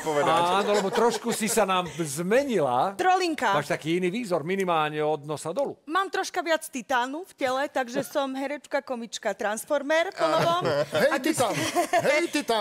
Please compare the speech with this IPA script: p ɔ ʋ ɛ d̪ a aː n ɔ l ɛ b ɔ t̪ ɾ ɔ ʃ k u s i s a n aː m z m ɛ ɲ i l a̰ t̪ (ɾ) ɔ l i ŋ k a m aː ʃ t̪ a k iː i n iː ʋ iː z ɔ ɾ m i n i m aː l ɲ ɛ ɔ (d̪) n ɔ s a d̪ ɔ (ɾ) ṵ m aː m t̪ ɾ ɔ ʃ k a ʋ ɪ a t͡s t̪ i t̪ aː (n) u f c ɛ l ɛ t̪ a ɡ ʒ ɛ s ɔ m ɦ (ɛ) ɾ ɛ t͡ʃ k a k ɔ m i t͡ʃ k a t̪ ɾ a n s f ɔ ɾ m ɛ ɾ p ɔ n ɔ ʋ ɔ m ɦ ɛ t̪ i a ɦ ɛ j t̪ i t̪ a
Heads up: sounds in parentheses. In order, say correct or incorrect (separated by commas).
correct, correct, incorrect, correct, correct